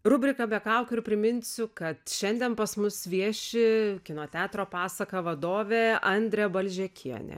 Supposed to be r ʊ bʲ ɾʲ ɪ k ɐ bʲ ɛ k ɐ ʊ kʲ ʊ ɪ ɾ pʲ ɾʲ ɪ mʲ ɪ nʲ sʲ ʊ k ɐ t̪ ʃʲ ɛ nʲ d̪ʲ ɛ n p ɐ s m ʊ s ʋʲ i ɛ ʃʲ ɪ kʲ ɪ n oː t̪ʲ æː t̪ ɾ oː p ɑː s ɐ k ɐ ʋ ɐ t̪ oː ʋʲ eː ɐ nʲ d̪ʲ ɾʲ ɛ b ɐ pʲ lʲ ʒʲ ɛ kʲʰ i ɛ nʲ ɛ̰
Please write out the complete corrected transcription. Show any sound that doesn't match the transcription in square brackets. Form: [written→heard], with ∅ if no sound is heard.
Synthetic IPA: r ʊ bʲ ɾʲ ɪ k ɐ bʲ ɛ k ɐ ʊ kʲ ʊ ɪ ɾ pʲ ɾʲ ɪ mʲ ɪ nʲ sʲ ʊ k ɐ t̪ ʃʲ ɛ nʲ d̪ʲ ɛ n p ɐ s m ʊ s ʋʲ i ɛ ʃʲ ɪ kʲ ɪ n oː t̪ʲ æː t̪ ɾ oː p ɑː s ɐ k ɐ ʋ ɐ [t̪→d̪] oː ʋʲ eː ɐ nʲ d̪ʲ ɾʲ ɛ b ɐ [pʲ→∅] lʲ ʒʲ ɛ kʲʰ i ɛ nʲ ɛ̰

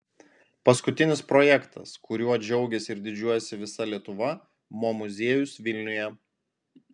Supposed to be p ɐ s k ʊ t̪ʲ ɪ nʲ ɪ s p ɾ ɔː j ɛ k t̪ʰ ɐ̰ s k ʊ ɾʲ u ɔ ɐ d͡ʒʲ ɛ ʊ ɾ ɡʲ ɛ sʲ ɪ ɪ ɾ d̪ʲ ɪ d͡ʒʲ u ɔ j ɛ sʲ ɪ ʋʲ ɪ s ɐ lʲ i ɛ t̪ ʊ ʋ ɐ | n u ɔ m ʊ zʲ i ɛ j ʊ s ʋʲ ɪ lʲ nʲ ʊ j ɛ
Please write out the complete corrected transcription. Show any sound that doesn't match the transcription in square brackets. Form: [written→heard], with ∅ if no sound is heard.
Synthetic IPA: p ɐ s k ʊ t̪ʲ ɪ nʲ ɪ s p ɾ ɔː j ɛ k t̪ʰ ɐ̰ s k ʊ ɾʲ u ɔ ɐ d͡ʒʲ ɛ ʊ [ɾ→∅] ɡʲ ɛ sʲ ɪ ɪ ɾ d̪ʲ ɪ d͡ʒʲ u ɔ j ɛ sʲ ɪ ʋʲ ɪ s ɐ lʲ i ɛ t̪ ʊ ʋ ɐ | [n→m] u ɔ m ʊ zʲ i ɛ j ʊ s ʋʲ ɪ lʲ nʲ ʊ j ɛ

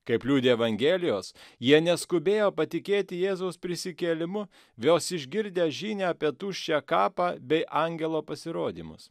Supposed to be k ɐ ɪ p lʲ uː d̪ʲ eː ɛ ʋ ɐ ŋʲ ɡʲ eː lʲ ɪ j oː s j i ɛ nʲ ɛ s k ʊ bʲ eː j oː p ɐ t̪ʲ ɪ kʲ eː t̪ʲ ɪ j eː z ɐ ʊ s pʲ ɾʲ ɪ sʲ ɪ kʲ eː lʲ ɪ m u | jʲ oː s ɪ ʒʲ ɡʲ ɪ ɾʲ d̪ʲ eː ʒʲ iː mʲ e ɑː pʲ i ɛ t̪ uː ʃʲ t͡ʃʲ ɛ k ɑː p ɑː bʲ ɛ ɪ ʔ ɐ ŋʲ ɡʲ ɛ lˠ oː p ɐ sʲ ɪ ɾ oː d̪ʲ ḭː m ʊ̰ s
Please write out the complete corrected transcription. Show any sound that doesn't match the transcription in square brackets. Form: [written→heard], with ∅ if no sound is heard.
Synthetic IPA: k ɐ ɪ p lʲ uː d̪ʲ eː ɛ ʋ ɐ ŋʲ ɡʲ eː lʲ ɪ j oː s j i ɛ nʲ ɛ s k ʊ bʲ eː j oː p ɐ t̪ʲ ɪ kʲ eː t̪ʲ ɪ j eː z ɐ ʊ s pʲ ɾʲ ɪ sʲ ɪ kʲ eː lʲ ɪ m [u→ʊ] | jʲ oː s ɪ ʒʲ ɡʲ ɪ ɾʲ d̪ʲ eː ʒʲ iː [mʲ→nʲ] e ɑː pʲ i ɛ t̪ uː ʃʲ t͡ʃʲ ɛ k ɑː p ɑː bʲ ɛ ɪ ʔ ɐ ŋʲ ɡʲ ɛ lˠ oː p ɐ sʲ ɪ ɾ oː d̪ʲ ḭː m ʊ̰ s

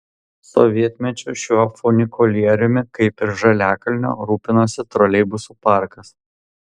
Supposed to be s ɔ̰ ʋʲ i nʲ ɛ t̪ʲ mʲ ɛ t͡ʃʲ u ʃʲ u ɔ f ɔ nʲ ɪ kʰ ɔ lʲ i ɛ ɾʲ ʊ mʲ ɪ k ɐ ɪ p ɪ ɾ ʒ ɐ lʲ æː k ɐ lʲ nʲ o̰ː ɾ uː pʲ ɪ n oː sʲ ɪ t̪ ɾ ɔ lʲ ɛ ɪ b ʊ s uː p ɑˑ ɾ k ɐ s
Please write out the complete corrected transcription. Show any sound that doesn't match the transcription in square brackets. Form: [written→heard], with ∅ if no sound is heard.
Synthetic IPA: s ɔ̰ ʋʲ i [nʲ→∅] ɛ t̪ʲ mʲ ɛ t͡ʃʲ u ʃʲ u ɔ f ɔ nʲ ɪ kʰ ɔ lʲ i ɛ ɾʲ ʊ mʲ ɪ k ɐ ɪ p ɪ ɾ ʒ ɐ lʲ æː k ɐ lʲ nʲ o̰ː ɾ uː pʲ ɪ n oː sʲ ɪ t̪ ɾ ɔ lʲ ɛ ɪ b ʊ s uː p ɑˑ ɾ k ɐ s

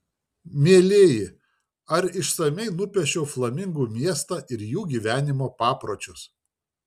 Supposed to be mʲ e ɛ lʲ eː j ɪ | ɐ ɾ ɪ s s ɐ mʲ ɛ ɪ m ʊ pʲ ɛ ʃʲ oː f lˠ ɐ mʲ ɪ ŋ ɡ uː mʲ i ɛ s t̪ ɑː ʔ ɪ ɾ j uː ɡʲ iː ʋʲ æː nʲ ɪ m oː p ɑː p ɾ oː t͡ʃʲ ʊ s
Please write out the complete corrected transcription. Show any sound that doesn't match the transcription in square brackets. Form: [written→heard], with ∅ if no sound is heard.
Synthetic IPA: mʲ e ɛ lʲ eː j ɪ | ɐ ɾ ɪ [s→ʃ] s ɐ mʲ ɛ ɪ [m→n] ʊ pʲ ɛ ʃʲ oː f lˠ ɐ mʲ ɪ ŋ ɡ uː mʲ i ɛ s t̪ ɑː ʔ ɪ ɾ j uː ɡʲ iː ʋʲ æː nʲ ɪ m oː p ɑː p ɾ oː t͡ʃʲ ʊ s

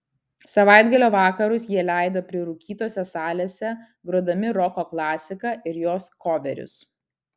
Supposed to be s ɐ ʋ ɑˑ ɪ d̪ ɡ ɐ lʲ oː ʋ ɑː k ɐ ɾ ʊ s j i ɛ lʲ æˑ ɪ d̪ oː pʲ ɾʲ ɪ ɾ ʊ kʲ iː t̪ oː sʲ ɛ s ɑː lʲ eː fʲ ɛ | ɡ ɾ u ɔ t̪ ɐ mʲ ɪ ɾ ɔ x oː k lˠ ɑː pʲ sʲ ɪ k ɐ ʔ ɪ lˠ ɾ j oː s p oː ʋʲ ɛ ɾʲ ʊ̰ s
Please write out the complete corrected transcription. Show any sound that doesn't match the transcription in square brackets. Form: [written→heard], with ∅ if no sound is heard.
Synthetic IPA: s ɐ ʋ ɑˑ ɪ d̪ ɡ ɐ lʲ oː ʋ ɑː k ɐ ɾ ʊ s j i ɛ lʲ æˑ ɪ d̪ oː pʲ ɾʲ ɪ ɾ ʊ kʲ iː t̪ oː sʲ ɛ s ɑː lʲ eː [fʲ→sʲ] ɛ | ɡ ɾ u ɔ [t̪→d̪] ɐ mʲ ɪ ɾ ɔ [x→k] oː k lˠ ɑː [pʲ→∅] sʲ ɪ k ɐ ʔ ɪ [lˠ→∅] ɾ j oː s [p→k] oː ʋʲ ɛ ɾʲ ʊ̰ s

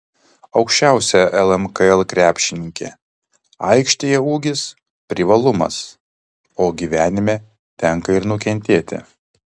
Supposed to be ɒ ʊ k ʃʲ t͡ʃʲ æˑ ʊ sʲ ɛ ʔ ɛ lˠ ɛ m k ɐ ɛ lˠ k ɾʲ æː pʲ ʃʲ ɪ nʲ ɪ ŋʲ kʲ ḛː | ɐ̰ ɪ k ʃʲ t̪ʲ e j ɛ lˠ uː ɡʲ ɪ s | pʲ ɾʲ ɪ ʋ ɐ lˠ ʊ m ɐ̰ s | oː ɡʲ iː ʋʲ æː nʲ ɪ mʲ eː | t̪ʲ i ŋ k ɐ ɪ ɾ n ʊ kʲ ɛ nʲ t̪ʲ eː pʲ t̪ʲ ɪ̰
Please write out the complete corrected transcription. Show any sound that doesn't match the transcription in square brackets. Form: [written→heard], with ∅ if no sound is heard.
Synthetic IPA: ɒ ʊ k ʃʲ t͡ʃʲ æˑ ʊ sʲ ɛ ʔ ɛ lˠ ɛ m k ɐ ɛ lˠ k ɾʲ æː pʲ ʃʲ ɪ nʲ ɪ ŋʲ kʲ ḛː | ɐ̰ ɪ k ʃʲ t̪ʲ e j ɛ [lˠ→∅] uː ɡʲ ɪ s | pʲ ɾʲ ɪ ʋ ɐ lˠ ʊ m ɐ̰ s | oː ɡʲ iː ʋʲ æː nʲ ɪ mʲ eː | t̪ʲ [i→ɛ] ŋ k ɐ ɪ ɾ n ʊ kʲ ɛ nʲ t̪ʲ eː [pʲ→∅] t̪ʲ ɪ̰

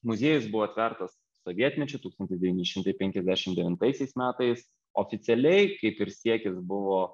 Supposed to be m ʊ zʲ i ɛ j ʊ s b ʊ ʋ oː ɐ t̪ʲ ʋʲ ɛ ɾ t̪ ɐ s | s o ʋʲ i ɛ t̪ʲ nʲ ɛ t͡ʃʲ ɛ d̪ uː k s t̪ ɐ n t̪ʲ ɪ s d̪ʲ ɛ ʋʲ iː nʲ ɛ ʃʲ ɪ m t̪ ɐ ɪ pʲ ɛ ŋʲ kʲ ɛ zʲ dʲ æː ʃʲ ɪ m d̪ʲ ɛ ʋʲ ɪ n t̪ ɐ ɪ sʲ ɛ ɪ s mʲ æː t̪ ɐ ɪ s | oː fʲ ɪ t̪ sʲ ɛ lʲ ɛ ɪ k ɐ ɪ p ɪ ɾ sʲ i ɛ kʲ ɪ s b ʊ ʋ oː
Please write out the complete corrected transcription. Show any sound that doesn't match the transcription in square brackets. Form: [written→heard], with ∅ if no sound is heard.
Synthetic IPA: m ʊ zʲ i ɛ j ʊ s b ʊ ʋ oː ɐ t̪ʲ ʋʲ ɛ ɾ t̪ ɐ s | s o ʋʲ i ɛ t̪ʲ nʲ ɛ t͡ʃʲ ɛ [d̪→t̪] uː k s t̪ ɐ n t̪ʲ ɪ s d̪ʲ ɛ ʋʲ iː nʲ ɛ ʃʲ ɪ m t̪ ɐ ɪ pʲ ɛ ŋʲ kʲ ɛ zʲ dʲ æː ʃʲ ɪ m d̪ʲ ɛ ʋʲ ɪ n t̪ ɐ ɪ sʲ ɛ ɪ s mʲ æː t̪ ɐ ɪ s | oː fʲ ɪ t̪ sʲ ɛ lʲ ɛ ɪ k ɐ ɪ p ɪ ɾ sʲ i ɛ kʲ ɪ s b ʊ ʋ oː

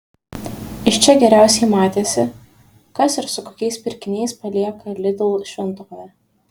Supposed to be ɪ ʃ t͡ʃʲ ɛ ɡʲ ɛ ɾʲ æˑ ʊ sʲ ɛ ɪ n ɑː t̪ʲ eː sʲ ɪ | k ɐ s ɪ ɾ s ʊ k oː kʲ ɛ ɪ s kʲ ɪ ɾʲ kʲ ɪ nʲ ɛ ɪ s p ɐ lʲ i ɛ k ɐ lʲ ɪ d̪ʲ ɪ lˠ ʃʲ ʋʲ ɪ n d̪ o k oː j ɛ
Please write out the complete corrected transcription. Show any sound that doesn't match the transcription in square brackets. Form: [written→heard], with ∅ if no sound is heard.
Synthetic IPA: ɪ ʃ t͡ʃʲ ɛ ɡʲ ɛ ɾʲ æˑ ʊ sʲ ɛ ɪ [n→m] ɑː t̪ʲ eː sʲ ɪ | k ɐ s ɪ ɾ s ʊ k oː kʲ ɛ ɪ s [kʲ→pʲ] ɪ ɾʲ kʲ ɪ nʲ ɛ ɪ s p ɐ lʲ i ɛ k ɐ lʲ ɪ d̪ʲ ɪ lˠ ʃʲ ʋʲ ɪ n [d̪→t̪] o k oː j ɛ

